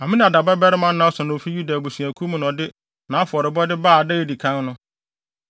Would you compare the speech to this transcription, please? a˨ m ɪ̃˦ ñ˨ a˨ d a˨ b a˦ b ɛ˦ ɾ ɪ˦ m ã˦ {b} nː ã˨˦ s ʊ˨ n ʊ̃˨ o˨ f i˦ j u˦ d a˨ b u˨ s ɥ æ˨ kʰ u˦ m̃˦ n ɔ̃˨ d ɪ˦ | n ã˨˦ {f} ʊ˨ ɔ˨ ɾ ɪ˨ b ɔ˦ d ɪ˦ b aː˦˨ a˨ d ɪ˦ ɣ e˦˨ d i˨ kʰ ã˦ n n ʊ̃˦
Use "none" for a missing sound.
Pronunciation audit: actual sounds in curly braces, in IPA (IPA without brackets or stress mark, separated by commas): none, f